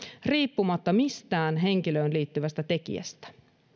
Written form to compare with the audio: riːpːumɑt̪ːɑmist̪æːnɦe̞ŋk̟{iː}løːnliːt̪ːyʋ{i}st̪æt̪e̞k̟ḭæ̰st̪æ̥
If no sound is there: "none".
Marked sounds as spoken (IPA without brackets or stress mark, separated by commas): i, æ